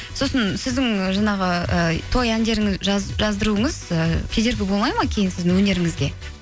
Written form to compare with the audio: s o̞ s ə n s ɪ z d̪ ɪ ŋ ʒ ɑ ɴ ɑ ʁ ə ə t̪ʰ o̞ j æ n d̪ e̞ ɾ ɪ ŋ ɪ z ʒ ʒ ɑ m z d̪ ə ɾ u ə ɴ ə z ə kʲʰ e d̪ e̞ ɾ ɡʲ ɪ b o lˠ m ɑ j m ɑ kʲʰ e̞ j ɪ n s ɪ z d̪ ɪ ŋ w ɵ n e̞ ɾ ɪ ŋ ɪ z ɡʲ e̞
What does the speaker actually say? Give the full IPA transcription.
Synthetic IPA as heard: s o̞ s ə n s ɪ z d̪ ɪ ŋ ʒ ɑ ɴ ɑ ʁ ə ə t̪ʰ o̞ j æ n d̪ e̞ ɾ ɪ ŋ ɪ z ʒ ʒ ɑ z d̪ ə ɾ u ə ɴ ə z ə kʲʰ e d̪ e̞ ɾ ɡʲ ɪ b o lˠ m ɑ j m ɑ kʲʰ e̞ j ɪ n s ɪ z d̪ ɪ ŋ w ɵ n e̞ ɾ ɪ ŋ ɪ z ɡʲ e̞